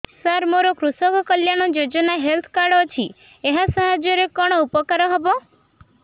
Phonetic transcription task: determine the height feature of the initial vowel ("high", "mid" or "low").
low